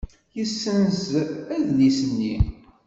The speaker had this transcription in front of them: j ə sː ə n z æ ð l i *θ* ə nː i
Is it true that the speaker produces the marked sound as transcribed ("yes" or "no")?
no